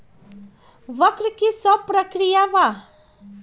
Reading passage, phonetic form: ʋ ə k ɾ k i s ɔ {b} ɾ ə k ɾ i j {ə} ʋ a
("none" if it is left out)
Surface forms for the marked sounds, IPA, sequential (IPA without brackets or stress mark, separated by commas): p, a